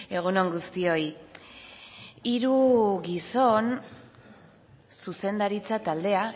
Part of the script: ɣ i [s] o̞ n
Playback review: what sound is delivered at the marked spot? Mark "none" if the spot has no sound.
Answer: s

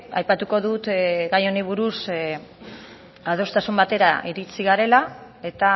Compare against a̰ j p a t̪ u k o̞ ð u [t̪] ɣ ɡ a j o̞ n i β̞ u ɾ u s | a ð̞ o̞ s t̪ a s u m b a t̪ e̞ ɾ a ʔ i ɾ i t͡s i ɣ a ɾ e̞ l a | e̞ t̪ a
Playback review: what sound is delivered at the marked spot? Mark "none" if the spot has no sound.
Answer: t̪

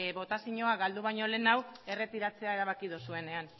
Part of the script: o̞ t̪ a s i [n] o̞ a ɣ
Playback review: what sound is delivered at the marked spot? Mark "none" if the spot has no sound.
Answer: ɲ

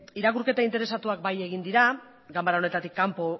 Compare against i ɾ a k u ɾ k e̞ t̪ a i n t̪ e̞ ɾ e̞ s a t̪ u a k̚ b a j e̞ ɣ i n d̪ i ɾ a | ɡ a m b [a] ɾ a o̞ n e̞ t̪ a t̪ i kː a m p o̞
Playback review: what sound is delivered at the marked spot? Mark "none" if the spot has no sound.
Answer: a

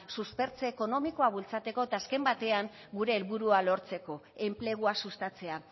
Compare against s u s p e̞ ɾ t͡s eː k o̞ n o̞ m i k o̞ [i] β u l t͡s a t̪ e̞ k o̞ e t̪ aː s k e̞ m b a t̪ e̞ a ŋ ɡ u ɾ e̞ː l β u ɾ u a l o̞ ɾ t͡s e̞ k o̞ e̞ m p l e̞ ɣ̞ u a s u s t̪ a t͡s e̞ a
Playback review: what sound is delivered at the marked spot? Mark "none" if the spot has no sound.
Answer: a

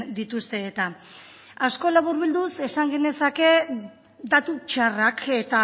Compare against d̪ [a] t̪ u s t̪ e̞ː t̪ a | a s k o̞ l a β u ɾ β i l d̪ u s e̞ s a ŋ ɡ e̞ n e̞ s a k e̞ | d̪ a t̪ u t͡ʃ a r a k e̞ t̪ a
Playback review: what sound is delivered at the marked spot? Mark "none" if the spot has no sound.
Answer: i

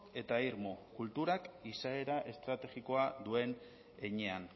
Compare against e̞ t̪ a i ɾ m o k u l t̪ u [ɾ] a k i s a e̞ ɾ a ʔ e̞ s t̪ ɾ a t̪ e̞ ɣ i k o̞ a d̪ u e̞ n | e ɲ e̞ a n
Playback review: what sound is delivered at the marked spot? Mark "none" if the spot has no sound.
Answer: ɾ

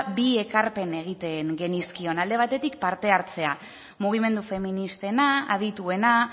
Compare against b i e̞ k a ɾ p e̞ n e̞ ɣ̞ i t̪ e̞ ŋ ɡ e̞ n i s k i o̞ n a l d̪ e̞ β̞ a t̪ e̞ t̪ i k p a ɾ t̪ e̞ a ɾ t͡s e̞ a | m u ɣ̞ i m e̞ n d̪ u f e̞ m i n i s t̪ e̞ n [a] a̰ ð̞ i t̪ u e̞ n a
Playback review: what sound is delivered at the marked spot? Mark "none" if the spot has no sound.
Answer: a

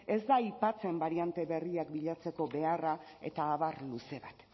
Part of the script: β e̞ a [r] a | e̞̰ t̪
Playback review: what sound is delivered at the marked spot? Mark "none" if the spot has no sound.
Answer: r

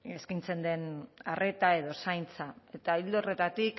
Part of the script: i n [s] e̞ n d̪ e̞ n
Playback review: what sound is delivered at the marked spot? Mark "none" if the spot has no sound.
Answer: t͡s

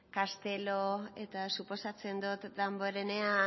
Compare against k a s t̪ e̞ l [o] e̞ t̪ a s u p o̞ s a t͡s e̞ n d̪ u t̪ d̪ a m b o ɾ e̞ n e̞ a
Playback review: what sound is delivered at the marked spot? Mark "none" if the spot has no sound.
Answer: o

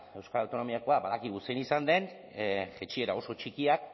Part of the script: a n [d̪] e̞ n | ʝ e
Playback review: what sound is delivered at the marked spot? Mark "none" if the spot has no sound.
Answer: d̪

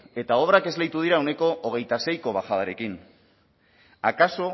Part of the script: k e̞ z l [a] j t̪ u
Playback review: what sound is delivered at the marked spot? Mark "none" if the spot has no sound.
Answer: e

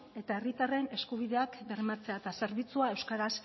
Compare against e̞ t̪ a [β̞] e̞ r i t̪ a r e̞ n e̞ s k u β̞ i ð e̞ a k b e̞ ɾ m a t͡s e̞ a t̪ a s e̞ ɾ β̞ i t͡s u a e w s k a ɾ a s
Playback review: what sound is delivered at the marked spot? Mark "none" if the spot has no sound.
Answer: none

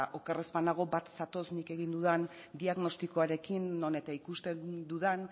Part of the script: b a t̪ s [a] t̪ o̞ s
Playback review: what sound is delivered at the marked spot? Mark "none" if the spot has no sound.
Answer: a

